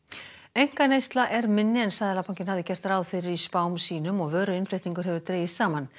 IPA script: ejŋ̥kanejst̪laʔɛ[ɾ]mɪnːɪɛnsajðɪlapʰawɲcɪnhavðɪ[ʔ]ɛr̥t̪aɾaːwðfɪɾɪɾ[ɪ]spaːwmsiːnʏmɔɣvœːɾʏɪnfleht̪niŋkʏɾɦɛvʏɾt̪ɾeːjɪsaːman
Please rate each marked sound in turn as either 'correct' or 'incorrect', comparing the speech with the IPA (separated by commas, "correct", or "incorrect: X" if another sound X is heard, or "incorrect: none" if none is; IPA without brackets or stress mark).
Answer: correct, incorrect: c, incorrect: i